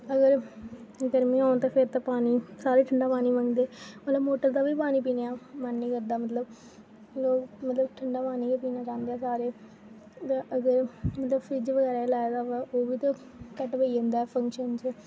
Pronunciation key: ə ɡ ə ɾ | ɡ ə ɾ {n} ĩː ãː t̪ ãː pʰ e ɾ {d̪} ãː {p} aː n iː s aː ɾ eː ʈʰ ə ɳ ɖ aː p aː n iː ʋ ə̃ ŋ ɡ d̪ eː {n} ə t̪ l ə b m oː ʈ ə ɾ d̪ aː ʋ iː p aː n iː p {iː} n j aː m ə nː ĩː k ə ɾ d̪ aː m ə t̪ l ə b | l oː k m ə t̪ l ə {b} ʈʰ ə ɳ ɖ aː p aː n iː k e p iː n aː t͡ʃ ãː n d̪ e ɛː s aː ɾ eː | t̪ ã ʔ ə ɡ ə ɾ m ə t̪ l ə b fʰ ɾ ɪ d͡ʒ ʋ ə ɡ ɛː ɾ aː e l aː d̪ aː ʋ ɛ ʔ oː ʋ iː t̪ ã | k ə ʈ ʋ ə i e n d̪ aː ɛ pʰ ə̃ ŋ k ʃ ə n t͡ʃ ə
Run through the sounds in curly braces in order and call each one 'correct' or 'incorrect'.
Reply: incorrect: m, incorrect: t̪, correct, incorrect: m, correct, correct

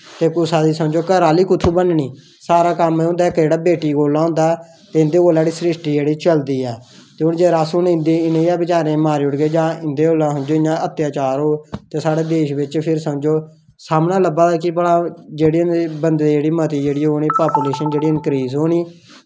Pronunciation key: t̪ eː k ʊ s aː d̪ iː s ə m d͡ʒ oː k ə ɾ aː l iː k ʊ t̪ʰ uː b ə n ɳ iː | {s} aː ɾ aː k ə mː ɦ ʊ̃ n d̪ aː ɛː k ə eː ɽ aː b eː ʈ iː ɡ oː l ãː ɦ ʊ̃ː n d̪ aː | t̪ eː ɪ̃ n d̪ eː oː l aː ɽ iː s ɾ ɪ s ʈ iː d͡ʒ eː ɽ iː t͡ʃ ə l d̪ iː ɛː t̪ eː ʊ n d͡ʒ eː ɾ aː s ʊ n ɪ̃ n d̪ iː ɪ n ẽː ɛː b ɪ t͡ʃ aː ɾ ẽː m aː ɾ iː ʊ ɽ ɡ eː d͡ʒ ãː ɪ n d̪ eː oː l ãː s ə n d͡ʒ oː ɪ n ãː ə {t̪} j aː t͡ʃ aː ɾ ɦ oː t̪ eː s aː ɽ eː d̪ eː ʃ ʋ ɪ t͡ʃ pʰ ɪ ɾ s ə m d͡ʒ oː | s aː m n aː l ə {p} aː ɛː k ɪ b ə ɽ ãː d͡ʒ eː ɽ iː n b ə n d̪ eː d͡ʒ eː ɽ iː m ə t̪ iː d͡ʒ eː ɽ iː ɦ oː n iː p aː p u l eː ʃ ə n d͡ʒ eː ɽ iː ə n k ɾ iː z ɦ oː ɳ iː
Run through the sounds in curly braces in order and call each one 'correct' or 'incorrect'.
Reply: correct, correct, incorrect: b

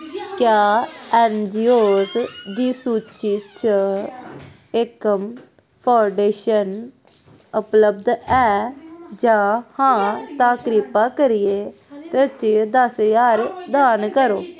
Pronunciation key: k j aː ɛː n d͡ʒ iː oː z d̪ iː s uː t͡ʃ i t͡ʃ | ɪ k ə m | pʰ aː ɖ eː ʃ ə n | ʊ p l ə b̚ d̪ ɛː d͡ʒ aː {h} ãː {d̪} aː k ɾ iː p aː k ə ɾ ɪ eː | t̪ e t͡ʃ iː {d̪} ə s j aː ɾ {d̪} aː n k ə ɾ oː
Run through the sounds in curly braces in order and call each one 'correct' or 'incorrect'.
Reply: correct, incorrect: t̪, correct, correct

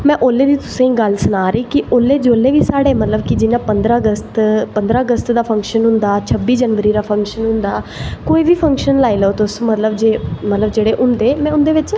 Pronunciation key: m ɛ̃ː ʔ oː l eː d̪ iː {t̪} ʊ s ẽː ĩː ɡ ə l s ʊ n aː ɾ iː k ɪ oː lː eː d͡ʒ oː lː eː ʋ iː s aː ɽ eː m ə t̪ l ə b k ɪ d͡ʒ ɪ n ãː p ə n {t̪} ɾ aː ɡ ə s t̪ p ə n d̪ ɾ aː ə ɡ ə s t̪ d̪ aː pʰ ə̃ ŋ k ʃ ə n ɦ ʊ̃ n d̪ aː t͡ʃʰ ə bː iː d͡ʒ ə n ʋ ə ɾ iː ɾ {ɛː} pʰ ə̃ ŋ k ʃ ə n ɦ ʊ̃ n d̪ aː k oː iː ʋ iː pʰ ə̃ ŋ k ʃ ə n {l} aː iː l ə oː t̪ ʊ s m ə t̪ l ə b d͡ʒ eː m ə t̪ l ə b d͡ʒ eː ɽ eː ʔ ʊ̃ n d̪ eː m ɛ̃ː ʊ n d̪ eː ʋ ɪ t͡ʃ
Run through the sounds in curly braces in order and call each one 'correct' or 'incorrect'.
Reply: correct, incorrect: d̪, incorrect: aː, correct

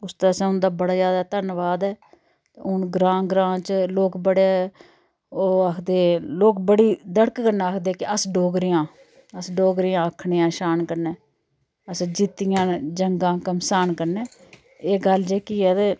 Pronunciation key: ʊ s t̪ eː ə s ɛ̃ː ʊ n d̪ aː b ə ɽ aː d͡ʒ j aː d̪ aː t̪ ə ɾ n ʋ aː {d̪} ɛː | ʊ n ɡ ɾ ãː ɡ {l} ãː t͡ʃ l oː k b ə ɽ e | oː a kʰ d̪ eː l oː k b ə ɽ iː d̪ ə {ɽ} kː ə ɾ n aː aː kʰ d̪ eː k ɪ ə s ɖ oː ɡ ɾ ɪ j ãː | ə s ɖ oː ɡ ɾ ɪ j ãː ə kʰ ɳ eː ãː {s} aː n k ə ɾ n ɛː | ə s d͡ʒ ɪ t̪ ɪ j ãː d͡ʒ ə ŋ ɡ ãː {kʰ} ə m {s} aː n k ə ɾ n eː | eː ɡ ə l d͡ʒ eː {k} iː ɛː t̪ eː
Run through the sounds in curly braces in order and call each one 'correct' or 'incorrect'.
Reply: correct, incorrect: ɾ, correct, incorrect: ʃ, incorrect: k, correct, correct

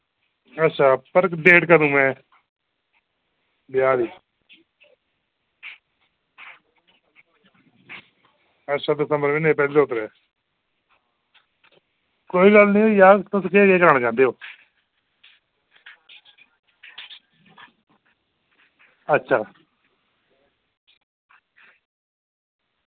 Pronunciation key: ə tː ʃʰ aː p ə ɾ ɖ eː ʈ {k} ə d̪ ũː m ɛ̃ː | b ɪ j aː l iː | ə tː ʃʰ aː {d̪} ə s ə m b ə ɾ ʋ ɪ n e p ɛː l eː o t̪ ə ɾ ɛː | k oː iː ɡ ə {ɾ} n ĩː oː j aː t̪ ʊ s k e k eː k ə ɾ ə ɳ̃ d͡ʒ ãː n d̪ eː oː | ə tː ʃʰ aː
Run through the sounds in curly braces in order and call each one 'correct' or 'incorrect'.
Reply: correct, correct, incorrect: l

